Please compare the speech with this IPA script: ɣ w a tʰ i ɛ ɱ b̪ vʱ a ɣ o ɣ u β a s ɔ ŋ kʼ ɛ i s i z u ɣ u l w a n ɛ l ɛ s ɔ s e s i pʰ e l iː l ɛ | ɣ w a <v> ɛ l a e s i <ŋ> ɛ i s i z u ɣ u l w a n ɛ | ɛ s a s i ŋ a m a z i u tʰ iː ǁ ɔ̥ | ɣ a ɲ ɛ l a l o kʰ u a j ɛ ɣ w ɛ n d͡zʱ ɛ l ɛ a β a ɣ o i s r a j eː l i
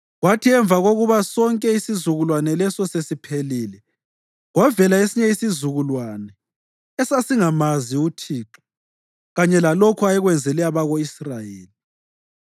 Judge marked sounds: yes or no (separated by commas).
yes, no